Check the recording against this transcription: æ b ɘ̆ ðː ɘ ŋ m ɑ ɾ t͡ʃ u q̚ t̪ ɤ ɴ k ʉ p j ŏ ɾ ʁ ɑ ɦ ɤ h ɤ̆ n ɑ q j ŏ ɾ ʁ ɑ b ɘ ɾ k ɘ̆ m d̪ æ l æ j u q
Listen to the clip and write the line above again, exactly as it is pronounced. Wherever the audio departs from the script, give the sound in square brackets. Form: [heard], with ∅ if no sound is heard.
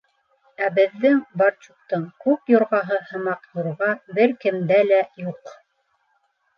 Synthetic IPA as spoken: æ b ɘ̆ ðː ɘ ŋ [b] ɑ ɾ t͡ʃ u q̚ t̪ ɤ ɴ k ʉ p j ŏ ɾ ʁ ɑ ɦ ɤ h ɤ̆ [m] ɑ q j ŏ ɾ ʁ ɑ b ɘ ɾ k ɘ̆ m d̪ æ l æ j u q